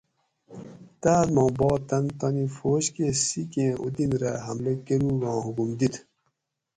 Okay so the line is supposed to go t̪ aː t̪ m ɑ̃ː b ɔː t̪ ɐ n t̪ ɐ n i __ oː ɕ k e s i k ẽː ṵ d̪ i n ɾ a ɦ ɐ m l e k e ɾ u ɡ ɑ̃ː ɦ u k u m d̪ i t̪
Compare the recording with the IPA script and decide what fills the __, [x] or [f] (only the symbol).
f